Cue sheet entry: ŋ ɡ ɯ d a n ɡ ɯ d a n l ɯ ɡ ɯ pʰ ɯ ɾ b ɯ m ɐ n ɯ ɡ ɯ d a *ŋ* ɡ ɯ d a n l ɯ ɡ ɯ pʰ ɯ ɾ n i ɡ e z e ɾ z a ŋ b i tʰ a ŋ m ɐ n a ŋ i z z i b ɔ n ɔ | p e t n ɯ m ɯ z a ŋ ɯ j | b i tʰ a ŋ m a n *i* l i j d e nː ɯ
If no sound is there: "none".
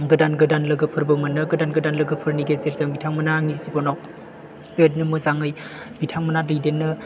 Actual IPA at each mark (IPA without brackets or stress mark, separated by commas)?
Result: n, a